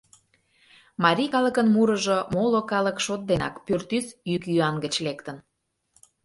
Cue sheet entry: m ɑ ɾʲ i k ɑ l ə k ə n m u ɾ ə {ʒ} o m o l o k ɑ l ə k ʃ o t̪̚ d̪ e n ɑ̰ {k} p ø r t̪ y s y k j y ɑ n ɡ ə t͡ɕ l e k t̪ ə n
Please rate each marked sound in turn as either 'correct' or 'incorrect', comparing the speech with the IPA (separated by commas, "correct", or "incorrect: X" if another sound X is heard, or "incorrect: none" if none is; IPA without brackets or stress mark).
correct, correct